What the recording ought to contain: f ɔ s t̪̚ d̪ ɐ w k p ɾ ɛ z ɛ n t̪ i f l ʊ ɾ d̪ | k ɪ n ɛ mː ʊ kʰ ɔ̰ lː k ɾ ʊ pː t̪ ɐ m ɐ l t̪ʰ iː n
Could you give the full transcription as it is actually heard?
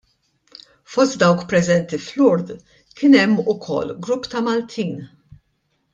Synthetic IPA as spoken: f ɔ s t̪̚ d̪ ɐ w k p ɾ ɛ z ɛ n t̪ i f l ʊ ɾ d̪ | k ɪ n ɛ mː ʊ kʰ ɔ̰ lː ɡ ɾ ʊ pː t̪ ɐ m ɐ l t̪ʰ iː n